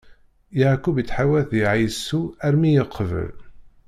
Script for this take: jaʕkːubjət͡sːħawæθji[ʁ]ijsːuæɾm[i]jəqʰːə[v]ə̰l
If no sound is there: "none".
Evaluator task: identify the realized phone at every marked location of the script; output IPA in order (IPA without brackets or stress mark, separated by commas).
ʕ, i, v